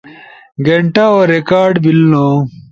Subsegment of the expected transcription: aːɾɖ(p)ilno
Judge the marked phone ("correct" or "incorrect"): incorrect